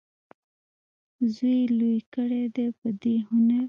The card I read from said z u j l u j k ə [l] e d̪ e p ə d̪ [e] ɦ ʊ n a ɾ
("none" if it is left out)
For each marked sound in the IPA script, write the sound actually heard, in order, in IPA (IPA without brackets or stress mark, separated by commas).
ɽ, e